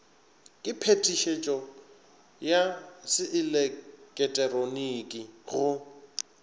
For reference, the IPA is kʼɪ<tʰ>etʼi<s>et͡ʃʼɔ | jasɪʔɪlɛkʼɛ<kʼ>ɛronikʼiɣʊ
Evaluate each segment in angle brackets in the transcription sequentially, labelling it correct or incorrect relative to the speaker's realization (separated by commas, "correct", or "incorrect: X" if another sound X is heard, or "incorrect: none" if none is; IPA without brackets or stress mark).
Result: incorrect: pʰ, incorrect: ʃ, incorrect: tʼ